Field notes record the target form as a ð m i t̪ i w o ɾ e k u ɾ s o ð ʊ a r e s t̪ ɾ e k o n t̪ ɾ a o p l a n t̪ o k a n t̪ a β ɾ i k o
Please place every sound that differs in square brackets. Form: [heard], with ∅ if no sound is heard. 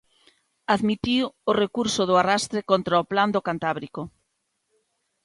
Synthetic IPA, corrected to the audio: a ð m i t̪ i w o [r] e k u ɾ s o ð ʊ a r [a] s t̪ ɾ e k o n t̪ ɾ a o p l a n [d̪] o k a n t̪ a β ɾ i k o